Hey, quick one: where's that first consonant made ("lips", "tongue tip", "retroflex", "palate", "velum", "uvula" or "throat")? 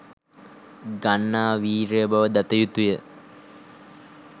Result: velum